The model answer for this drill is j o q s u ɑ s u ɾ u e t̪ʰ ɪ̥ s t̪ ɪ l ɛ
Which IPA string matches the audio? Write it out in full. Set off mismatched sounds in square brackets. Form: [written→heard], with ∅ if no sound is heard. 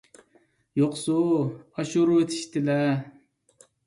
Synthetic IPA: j o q s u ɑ [s→ʃ] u ɾ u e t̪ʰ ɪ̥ [s→ʃ] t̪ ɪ l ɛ